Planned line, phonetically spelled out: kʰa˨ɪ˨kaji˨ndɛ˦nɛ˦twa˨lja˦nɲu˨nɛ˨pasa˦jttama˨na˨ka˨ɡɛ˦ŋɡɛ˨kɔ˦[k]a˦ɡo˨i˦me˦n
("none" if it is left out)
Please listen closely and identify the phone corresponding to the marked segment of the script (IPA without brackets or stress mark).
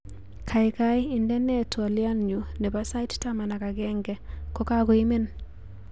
k